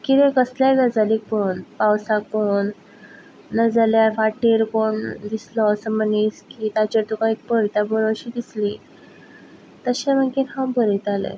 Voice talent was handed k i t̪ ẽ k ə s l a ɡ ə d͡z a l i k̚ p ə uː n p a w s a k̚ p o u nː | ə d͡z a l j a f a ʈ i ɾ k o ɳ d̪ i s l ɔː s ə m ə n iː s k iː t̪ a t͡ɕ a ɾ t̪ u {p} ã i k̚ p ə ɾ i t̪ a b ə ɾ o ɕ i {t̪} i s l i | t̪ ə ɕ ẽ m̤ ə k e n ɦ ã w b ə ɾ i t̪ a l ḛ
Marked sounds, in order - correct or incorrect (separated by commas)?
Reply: incorrect, incorrect